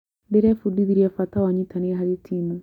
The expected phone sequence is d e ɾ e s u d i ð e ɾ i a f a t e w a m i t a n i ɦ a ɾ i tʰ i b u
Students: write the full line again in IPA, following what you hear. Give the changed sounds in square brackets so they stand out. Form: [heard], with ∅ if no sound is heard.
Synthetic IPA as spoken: [b] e ɾ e [f] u d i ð [i] ɾ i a f a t [a] w a [ɲ] i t a n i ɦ a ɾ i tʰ i [m] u